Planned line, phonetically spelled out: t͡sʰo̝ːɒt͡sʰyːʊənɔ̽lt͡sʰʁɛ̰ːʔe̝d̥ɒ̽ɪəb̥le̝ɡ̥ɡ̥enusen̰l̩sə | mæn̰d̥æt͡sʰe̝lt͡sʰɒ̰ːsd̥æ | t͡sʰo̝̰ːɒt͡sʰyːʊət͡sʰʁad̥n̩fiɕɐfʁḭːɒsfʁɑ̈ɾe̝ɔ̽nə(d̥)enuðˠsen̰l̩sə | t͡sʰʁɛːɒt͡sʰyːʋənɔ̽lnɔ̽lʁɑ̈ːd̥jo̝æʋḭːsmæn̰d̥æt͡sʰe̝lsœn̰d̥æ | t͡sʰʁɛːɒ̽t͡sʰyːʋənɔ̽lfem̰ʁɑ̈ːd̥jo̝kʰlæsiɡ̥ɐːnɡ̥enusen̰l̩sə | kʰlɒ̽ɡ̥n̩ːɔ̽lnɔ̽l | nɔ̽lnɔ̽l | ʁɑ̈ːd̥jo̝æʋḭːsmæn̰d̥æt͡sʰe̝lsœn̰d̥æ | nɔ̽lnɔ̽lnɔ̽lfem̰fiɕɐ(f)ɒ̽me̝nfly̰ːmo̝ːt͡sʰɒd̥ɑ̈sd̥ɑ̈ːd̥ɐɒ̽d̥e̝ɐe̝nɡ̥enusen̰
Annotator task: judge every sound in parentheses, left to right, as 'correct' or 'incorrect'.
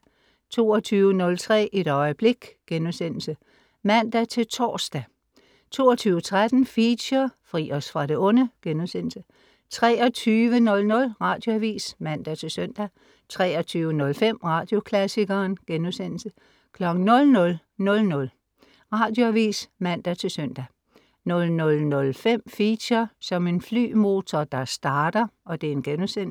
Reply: incorrect: ɡ̥, incorrect: s

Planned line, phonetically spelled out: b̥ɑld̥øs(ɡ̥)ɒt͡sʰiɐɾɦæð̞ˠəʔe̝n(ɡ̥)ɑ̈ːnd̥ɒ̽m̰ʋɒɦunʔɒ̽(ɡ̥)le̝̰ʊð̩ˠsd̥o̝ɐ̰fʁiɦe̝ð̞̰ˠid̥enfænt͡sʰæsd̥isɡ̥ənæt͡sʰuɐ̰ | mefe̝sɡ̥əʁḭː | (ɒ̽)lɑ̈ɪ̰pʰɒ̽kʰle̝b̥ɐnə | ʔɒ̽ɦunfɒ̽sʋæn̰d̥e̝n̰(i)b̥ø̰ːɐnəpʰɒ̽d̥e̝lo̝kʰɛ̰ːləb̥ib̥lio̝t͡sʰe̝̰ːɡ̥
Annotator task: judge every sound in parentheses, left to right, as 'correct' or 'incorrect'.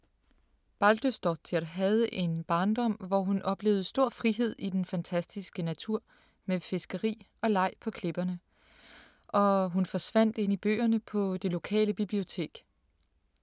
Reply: incorrect: d̥, incorrect: b̥, incorrect: b̥, correct, correct

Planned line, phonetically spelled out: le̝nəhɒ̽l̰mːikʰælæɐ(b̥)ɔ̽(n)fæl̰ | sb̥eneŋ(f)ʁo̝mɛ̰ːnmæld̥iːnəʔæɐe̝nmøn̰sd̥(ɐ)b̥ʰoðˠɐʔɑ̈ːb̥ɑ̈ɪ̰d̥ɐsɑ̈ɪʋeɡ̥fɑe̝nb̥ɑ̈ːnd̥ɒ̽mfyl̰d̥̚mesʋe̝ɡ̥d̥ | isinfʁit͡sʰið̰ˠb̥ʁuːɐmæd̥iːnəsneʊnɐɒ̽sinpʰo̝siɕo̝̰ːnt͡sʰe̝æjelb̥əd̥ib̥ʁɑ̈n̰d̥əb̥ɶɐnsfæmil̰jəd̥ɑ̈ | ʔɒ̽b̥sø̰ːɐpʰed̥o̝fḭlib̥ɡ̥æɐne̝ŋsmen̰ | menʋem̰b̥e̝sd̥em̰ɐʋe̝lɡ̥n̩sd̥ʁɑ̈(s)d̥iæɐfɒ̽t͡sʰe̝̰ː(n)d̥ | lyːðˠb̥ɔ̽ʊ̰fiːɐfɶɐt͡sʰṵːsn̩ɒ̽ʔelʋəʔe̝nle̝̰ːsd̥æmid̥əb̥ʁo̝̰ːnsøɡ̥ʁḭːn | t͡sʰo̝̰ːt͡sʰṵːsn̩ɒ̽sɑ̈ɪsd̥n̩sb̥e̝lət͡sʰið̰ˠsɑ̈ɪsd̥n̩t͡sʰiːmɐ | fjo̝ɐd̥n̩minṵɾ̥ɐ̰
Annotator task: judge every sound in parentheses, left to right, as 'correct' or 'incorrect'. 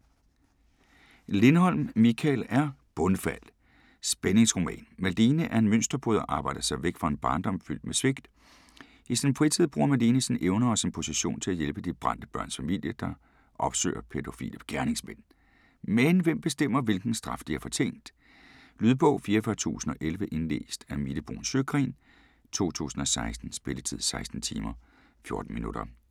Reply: correct, correct, incorrect: s, correct, incorrect: f, correct

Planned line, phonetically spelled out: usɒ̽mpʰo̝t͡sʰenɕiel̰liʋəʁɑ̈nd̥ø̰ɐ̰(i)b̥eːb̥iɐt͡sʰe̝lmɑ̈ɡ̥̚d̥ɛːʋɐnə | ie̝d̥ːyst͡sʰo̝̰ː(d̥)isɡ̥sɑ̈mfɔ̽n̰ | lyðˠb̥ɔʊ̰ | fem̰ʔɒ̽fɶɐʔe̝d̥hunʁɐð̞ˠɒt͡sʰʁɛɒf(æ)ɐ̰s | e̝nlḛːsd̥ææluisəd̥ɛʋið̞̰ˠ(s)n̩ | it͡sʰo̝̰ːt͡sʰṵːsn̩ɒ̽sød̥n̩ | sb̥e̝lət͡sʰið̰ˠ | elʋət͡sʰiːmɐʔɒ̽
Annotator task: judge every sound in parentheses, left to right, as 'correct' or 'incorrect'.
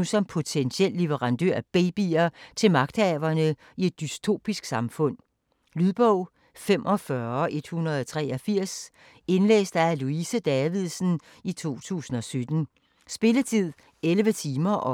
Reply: incorrect: æ, incorrect: b̥, incorrect: i, correct

